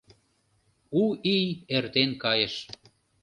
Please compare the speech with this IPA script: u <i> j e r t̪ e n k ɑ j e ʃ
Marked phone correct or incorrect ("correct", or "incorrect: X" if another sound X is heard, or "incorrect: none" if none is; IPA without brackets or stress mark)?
correct